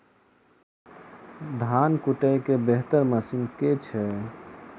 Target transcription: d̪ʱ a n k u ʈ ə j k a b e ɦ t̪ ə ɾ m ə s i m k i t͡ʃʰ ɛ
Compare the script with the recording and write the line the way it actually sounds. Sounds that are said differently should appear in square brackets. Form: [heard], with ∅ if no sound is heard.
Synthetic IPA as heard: d̪ʱ a n k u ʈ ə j k [e] b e ɦ t̪ ə ɾ m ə s i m k [e] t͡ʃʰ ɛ